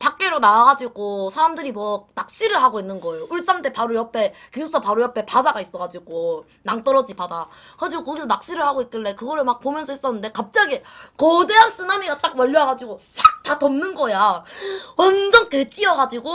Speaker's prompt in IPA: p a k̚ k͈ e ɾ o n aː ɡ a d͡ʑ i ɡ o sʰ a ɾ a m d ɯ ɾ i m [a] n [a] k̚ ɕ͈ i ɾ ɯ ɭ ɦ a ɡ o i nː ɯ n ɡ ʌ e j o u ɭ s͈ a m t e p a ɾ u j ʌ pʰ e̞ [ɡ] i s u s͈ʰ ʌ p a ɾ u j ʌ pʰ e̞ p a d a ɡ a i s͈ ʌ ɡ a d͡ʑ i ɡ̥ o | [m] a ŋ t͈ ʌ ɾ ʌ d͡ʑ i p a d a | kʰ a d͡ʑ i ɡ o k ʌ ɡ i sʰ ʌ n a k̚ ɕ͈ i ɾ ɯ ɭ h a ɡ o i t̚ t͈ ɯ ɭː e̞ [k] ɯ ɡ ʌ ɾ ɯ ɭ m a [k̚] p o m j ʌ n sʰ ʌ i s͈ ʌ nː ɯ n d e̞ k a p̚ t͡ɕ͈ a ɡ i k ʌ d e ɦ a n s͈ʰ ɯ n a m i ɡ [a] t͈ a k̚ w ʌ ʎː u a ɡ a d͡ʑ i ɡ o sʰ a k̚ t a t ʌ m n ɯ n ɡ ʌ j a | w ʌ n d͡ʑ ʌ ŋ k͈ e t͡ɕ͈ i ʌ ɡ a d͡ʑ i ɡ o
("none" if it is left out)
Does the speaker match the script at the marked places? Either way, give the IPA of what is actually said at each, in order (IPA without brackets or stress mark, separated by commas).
ʌ, a, k, n, k, k̚, a